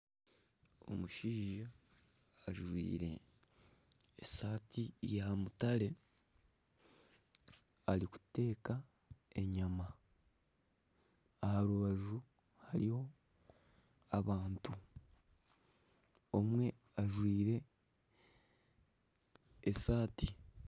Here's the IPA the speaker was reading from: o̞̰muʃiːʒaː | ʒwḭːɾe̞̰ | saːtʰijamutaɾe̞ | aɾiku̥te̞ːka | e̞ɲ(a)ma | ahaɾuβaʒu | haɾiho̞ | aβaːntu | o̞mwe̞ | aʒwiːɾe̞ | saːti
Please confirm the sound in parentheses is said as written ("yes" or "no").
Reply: yes